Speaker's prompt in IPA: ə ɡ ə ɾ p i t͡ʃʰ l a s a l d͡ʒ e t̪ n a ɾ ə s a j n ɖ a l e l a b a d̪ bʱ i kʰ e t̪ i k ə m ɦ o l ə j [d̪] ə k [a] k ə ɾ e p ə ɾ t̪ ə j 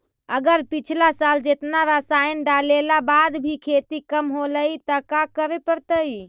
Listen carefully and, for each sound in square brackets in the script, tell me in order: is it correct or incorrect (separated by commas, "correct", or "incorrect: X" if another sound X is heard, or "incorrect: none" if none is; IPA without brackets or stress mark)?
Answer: incorrect: t̪, correct